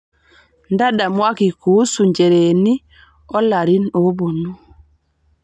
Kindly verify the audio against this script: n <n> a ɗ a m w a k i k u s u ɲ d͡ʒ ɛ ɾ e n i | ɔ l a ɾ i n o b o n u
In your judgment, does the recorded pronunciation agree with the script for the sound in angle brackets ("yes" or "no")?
no